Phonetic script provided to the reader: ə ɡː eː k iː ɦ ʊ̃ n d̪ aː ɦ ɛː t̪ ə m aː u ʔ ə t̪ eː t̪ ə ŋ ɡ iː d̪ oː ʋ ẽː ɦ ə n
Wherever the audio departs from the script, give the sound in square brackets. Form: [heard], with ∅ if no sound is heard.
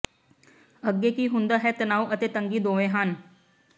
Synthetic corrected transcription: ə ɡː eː k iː ɦ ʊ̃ n d̪ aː ɦ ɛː t̪ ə [n] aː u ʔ ə t̪ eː t̪ ə ŋ ɡ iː d̪ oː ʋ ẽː ɦ ə n